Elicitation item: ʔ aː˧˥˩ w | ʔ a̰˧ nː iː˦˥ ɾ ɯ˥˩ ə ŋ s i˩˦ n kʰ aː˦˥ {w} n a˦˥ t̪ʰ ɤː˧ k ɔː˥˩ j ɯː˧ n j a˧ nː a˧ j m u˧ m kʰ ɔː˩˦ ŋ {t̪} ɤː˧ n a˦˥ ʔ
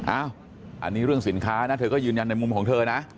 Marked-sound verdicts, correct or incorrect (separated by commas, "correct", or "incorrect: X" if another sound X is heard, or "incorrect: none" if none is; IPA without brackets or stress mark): incorrect: none, incorrect: t̪ʰ